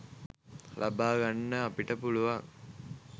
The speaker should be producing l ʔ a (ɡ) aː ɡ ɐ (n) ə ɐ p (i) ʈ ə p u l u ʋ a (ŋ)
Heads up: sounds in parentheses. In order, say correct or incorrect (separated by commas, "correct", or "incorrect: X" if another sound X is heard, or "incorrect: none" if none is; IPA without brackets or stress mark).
incorrect: b, incorrect: nː, correct, correct